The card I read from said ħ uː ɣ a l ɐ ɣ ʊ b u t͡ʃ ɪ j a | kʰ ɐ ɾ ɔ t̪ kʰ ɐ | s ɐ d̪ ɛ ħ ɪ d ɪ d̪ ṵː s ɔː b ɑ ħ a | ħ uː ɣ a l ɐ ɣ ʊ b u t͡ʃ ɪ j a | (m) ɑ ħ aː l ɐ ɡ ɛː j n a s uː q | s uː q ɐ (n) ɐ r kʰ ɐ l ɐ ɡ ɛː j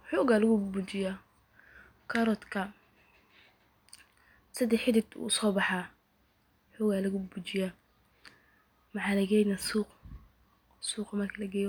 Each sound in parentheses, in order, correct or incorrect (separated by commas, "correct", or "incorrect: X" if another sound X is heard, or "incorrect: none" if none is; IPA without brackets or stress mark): correct, incorrect: m